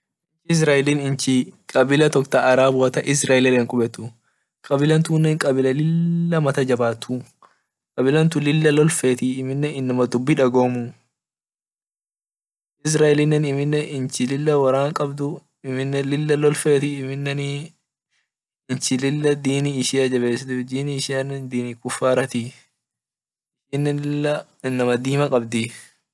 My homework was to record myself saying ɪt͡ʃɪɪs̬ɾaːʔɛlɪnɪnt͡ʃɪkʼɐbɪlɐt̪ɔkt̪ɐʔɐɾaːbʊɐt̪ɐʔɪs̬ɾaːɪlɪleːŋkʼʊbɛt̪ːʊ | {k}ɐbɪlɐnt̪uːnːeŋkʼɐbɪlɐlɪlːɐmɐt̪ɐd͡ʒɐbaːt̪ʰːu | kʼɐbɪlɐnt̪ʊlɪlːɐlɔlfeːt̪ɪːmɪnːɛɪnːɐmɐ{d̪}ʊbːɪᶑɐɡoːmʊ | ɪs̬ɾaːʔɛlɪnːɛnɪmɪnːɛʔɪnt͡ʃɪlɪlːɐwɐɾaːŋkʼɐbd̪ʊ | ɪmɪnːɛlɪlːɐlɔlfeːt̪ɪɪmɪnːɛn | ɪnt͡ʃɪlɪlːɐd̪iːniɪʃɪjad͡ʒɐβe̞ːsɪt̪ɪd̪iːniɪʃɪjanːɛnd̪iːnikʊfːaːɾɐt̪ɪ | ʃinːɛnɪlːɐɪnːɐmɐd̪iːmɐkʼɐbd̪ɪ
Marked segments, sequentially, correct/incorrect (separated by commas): incorrect, correct